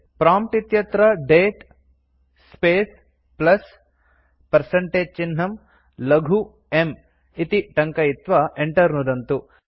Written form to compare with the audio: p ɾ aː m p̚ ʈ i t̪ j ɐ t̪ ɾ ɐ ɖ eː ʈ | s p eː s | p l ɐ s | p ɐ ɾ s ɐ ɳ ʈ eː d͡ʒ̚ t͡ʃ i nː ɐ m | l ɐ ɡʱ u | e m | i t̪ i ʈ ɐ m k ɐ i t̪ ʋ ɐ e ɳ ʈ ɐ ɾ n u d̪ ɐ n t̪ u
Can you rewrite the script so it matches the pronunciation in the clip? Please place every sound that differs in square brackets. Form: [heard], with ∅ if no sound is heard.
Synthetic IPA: p ɾ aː m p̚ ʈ i t̪ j ɐ t̪ ɾ ɐ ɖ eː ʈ | s p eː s | p l ɐ s | p ɐ ɾ s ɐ ɳ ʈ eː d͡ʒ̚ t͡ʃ i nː ɐ m | l ɐ ɡʱ u | e m | i t̪ i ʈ ɐ [ŋ] k ɐ i t̪ ʋ ɐ e ɳ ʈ ɐ ɾ n u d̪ ɐ n t̪ u